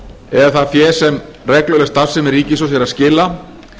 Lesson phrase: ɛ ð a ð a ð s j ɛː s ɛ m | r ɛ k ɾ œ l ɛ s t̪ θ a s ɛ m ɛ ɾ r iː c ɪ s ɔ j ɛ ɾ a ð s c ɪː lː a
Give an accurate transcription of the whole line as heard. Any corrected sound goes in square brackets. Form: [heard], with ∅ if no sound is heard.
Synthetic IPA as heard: ɛ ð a [θ] a ð [f] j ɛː s ɛ m | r ɛ k [l] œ l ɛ s t̪ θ a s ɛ m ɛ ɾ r iː c ɪ s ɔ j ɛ ɾ a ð s c ɪː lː a